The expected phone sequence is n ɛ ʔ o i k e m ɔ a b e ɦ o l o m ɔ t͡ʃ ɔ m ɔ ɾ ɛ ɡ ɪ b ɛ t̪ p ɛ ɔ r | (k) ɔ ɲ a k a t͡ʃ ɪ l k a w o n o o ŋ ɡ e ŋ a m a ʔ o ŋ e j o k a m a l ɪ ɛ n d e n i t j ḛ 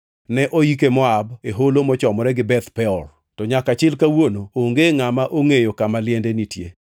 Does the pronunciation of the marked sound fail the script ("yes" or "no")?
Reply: yes